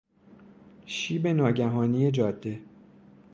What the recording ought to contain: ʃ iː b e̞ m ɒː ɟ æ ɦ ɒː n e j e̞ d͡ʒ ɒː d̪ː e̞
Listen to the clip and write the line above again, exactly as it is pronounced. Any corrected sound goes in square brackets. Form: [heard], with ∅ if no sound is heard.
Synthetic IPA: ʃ iː b e̞ [n] ɒː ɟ æ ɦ ɒː n [i] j e̞ d͡ʒ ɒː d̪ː e̞